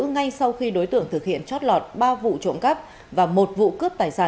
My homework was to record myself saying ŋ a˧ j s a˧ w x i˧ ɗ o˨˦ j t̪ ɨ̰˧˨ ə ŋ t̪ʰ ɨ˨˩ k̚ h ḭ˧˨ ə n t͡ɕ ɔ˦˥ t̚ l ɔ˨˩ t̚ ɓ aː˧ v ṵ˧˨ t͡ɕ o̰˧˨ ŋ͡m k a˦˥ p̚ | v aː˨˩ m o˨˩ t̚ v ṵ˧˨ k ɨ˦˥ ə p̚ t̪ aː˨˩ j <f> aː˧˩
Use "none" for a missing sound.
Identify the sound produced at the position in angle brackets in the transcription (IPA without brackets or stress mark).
s